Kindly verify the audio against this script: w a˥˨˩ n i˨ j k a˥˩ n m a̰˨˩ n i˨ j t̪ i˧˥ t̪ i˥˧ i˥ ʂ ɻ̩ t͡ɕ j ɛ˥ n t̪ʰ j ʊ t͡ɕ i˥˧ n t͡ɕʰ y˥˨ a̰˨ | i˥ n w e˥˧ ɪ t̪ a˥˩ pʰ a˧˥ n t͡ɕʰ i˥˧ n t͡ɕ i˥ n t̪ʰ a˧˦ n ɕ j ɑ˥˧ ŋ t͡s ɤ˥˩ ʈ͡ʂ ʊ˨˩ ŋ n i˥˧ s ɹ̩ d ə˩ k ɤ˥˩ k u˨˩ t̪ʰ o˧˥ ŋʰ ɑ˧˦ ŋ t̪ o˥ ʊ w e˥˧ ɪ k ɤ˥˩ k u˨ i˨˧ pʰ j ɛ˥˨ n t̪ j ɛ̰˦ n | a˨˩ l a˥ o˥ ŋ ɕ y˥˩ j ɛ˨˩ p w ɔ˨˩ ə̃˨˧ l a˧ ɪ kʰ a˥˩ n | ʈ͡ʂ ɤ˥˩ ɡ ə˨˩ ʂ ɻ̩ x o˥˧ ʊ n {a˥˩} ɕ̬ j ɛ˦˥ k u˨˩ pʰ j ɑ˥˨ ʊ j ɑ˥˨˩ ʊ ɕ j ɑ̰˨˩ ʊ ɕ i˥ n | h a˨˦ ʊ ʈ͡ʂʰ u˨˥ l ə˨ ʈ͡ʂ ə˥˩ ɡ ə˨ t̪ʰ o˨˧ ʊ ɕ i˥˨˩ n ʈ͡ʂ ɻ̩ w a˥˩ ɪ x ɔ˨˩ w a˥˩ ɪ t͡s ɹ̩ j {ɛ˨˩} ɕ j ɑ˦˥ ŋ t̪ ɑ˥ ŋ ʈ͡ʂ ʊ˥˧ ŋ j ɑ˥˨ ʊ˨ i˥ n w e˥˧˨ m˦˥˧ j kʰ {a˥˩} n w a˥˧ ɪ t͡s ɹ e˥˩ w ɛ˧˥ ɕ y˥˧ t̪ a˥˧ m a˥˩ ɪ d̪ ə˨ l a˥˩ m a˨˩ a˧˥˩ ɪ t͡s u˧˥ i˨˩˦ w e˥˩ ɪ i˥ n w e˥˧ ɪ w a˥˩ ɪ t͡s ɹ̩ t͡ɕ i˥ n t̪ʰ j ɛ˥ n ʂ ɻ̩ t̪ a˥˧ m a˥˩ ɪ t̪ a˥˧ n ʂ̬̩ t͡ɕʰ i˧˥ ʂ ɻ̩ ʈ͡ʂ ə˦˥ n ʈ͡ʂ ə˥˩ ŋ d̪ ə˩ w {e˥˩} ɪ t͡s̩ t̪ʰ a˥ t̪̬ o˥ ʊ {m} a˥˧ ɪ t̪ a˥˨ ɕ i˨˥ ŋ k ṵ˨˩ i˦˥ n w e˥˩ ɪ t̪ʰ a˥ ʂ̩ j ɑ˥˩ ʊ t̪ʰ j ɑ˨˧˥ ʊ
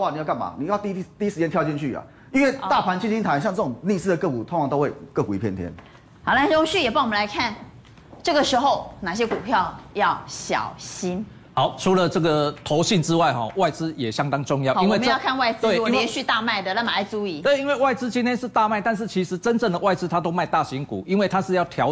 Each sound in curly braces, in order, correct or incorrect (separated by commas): incorrect, correct, incorrect, incorrect, correct